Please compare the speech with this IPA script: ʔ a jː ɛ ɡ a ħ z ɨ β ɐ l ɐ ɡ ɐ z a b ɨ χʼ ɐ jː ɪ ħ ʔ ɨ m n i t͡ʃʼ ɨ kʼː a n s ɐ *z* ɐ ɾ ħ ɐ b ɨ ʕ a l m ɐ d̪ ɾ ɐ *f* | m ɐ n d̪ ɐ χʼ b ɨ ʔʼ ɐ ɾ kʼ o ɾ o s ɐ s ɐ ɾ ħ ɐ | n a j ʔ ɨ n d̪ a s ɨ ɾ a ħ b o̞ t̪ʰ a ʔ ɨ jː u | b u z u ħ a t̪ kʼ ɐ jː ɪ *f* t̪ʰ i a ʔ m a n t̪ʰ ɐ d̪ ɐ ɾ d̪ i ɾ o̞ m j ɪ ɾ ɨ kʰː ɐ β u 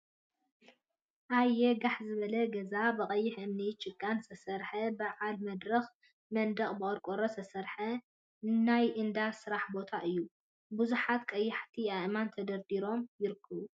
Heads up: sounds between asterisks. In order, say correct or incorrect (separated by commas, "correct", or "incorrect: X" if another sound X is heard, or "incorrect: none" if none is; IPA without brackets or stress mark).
incorrect: s, incorrect: x, incorrect: ħ